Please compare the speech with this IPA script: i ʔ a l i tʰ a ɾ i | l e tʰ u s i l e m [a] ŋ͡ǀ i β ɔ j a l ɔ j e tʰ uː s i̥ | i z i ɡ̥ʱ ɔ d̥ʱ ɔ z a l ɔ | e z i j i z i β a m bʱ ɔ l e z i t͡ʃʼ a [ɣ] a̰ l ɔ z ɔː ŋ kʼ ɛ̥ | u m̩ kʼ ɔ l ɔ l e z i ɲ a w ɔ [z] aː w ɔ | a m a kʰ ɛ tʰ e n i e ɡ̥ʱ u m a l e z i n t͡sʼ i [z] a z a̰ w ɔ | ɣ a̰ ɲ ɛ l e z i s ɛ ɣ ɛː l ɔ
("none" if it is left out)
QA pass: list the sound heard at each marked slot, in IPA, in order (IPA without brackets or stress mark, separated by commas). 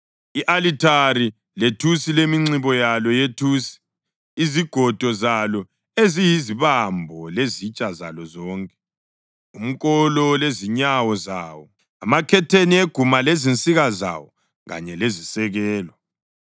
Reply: i, z, z, ɣ